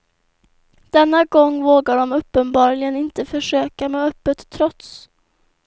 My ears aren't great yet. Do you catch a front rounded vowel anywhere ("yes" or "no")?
yes